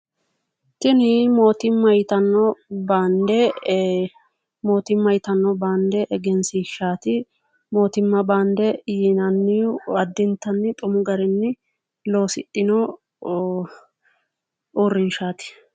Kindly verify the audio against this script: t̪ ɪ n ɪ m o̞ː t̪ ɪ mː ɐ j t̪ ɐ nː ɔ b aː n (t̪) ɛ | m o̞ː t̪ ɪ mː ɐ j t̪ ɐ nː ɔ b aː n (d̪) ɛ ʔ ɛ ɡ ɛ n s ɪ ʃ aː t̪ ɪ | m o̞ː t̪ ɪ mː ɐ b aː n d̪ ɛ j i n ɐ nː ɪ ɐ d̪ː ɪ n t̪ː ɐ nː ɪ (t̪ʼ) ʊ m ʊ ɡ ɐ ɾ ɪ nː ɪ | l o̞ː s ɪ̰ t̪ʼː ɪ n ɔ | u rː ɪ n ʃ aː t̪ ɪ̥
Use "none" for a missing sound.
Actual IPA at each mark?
d̪, d̪, t̪ʼ

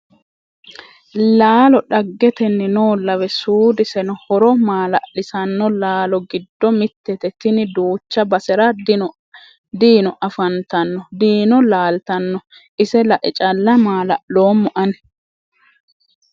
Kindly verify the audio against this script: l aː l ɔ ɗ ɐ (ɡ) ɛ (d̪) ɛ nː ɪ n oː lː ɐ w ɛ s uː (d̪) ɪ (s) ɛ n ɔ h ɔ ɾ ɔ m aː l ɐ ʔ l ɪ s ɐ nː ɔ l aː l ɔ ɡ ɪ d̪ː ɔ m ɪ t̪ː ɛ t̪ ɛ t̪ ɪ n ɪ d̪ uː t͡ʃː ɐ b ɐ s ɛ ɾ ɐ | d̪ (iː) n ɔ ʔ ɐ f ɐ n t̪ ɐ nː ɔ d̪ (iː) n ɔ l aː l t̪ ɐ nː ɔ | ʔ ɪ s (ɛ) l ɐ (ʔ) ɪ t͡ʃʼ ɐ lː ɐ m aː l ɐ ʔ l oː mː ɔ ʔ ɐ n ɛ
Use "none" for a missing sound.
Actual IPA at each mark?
ɡː, t̪, d̪, s, iː, iː, ɛ, ʔ

